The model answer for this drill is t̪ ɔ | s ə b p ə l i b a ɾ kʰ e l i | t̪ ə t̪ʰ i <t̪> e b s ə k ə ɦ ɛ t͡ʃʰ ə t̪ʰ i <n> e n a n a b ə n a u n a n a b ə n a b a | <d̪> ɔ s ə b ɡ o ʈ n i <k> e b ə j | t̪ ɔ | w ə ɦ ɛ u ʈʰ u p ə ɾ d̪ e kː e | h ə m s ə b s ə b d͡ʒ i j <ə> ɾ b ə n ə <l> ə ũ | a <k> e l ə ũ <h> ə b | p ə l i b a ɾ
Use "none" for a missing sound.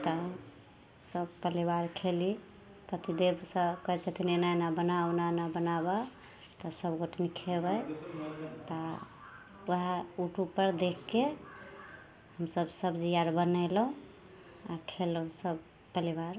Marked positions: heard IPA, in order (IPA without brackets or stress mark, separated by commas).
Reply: d̪, n, t̪, kʰ, a, l, kʰ, s